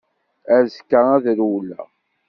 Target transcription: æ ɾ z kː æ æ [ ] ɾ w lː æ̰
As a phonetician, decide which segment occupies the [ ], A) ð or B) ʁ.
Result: A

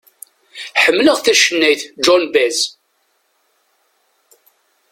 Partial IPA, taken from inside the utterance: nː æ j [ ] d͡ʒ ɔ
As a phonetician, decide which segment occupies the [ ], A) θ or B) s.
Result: A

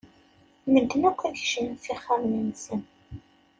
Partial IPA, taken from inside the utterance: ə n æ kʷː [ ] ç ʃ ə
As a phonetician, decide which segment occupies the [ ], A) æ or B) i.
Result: A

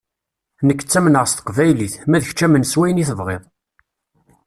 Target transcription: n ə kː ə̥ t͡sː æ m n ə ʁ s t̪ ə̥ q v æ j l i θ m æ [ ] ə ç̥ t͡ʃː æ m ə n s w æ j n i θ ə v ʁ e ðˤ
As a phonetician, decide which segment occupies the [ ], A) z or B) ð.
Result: B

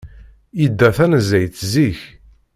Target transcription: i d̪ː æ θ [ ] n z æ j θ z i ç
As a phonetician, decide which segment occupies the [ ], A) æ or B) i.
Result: A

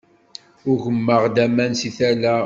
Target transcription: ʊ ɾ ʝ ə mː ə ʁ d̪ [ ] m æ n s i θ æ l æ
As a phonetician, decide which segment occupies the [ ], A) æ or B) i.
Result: A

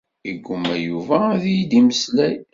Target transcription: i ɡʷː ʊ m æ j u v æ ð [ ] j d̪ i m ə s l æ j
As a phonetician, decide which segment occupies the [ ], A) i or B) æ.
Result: A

